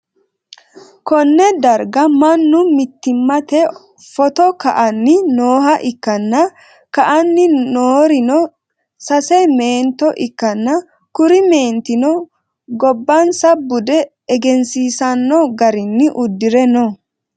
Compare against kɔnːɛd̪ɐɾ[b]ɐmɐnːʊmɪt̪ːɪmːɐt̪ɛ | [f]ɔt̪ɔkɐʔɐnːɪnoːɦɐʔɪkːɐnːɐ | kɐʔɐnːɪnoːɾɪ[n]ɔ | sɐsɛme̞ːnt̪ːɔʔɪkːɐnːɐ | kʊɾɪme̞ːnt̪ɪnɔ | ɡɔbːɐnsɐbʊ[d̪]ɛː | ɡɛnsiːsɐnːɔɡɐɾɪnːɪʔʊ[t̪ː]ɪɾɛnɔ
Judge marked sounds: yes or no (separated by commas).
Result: no, yes, yes, yes, no